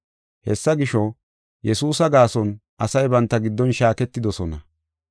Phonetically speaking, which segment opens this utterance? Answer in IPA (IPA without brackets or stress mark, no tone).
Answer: h